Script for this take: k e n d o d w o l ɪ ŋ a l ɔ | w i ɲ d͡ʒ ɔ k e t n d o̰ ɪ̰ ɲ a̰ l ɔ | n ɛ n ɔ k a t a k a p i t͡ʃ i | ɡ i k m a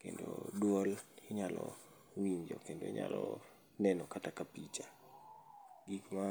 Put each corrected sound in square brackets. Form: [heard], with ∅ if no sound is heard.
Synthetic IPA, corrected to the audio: k e n d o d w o l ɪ [ɲ] a l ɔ | w i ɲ d͡ʒ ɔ k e [∅] n d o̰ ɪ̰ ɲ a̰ l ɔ | n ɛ n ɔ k a t a k a p i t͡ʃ [a] | ɡ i k m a